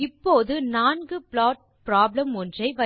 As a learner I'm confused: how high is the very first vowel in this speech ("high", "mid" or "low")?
high